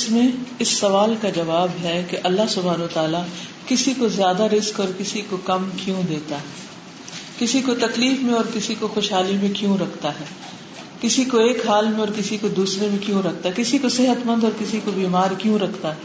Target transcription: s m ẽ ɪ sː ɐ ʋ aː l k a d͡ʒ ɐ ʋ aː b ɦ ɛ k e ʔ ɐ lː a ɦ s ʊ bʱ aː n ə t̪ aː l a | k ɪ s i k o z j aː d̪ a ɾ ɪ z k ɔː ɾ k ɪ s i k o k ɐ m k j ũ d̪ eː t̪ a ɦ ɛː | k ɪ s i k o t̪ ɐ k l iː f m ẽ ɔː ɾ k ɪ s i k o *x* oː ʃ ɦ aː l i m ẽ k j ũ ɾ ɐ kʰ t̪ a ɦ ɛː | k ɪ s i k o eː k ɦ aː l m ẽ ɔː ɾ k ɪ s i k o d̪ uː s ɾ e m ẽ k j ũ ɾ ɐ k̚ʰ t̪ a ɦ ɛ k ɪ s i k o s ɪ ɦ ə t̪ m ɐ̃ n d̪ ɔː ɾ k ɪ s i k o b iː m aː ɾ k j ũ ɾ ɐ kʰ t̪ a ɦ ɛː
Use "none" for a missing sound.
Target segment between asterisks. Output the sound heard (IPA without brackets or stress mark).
x